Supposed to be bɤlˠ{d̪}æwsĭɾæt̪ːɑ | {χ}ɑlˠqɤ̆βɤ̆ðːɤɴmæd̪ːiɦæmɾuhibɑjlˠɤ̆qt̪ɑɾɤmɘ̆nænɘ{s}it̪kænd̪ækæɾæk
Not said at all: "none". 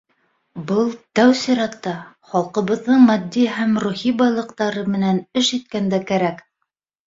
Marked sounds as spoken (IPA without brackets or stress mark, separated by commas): t̪, χ, ʃ